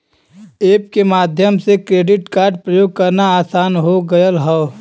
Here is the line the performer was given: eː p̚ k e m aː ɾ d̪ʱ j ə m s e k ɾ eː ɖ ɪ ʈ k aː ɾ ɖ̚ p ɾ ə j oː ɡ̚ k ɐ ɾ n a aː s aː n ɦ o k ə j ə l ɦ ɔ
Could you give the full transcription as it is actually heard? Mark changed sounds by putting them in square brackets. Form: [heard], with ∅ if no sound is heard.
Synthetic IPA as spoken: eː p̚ k e m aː [∅] d̪ʱ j ə m s e k ɾ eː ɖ ɪ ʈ k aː ɾ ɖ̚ p ɾ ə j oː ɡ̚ k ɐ ɾ n a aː s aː n ɦ o [ɡ] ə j ə l ɦ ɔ

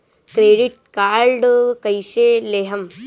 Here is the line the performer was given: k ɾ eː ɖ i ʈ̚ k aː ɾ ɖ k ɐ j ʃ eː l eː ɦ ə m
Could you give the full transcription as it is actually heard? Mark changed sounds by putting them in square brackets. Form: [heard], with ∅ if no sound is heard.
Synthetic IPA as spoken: k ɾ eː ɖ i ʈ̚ k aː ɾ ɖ k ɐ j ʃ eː l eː ɦ [ɐ] m

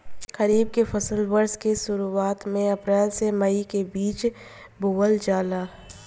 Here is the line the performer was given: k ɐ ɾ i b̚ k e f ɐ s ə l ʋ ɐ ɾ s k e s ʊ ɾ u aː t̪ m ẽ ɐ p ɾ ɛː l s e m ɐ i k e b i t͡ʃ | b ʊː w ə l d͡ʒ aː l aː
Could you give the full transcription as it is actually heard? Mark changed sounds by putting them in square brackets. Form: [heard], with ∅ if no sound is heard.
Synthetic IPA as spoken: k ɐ ɾ [iː] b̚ k e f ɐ s ə l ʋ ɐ ɾ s k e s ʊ ɾ u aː t̪ m ẽ ɐ p ɾ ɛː l s e m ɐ i k e b [iː] t͡ʃ | b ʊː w ə l d͡ʒ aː l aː

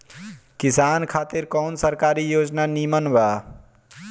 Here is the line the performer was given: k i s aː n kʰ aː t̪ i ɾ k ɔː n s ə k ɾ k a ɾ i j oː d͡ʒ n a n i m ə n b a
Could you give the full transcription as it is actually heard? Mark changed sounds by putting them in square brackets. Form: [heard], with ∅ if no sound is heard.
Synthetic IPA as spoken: k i s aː n kʰ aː t̪ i ɾ k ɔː n s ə [∅] ɾ k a ɾ i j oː d͡ʒ n a n i m ə n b a

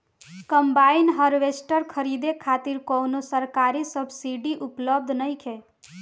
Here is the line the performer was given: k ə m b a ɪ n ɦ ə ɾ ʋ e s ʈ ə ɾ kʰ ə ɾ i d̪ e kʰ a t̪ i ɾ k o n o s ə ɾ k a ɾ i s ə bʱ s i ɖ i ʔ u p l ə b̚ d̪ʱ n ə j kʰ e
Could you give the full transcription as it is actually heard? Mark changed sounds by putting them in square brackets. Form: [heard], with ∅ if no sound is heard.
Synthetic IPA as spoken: k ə m b a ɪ n ɦ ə ɾ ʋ e s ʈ ə ɾ kʰ ə ɾ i d̪ e kʰ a t̪ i ɾ k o n o s ə ɾ k a ɾ i s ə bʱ s i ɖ i ʔ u p l ə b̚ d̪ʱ n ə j kʰ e

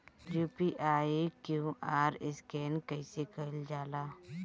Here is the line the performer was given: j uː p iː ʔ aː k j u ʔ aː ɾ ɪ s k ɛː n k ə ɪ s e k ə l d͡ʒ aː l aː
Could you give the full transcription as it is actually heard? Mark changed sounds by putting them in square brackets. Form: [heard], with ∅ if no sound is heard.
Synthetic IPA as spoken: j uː p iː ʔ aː k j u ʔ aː ɾ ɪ s k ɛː n k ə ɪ s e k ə l d͡ʒ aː l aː

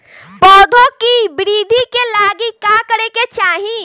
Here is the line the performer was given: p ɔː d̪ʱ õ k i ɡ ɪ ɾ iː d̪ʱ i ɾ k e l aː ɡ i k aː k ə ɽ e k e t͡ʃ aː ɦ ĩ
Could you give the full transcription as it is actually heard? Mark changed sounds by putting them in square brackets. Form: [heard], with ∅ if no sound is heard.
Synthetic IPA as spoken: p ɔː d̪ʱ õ k i [b] ɪ ɾ iː d̪ʱ i [∅] k e l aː ɡ i k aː k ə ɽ e k e t͡ʃ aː ɦ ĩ

